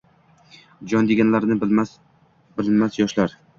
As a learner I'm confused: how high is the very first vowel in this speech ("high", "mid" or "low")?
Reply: low